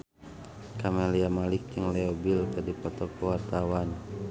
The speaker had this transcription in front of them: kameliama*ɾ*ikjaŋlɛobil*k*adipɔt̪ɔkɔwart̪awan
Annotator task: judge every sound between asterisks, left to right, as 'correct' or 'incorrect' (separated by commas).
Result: incorrect, correct